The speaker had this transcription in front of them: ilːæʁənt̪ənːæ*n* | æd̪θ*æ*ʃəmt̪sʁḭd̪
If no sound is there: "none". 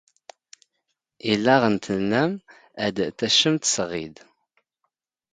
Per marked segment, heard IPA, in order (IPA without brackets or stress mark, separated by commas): m, æ